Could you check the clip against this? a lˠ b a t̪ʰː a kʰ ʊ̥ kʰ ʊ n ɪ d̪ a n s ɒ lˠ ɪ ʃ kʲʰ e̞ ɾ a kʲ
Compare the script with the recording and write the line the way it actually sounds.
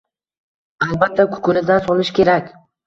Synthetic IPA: a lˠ b a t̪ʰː a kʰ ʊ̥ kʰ ʊ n ɪ d̪ a n s ɒ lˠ ɪ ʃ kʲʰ e̞ ɾ a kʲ